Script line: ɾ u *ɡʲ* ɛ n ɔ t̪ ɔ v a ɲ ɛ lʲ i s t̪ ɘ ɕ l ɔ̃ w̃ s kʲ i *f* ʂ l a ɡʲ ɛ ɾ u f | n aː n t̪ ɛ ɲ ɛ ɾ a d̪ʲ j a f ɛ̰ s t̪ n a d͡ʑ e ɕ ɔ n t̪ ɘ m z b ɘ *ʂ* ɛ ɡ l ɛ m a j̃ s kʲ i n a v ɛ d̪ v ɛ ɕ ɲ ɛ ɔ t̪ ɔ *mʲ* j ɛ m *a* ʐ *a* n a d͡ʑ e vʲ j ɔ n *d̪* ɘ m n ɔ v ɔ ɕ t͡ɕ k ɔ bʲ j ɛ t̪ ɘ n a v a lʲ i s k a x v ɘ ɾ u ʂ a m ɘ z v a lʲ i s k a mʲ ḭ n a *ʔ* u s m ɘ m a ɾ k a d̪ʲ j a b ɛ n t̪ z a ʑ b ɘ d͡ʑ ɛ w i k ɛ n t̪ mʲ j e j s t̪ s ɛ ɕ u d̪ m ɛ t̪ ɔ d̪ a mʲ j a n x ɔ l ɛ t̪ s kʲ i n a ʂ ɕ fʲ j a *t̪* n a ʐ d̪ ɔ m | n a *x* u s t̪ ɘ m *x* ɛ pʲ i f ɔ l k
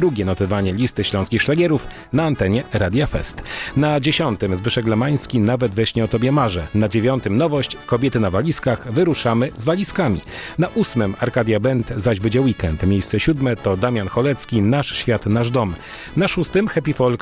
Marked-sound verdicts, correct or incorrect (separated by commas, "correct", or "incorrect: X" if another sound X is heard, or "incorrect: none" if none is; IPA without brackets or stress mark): correct, incorrect: x, correct, incorrect: bʲ, correct, incorrect: ɛ, incorrect: t̪, correct, correct, incorrect: ʂ, correct